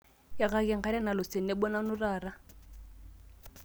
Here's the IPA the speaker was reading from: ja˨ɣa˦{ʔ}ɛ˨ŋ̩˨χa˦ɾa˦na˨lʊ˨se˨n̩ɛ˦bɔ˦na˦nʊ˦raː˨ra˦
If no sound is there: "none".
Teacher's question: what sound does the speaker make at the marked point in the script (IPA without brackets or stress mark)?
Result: k